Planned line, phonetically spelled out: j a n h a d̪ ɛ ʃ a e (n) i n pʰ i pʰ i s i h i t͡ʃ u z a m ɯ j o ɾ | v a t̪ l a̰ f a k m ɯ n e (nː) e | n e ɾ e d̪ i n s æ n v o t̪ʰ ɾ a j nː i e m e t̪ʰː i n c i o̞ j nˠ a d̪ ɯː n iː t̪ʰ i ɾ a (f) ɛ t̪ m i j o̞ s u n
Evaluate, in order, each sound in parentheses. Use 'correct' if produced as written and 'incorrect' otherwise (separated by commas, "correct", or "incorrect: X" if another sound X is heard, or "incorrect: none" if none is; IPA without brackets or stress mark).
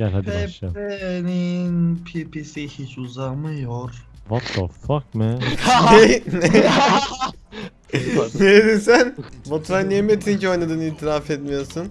correct, incorrect: n, correct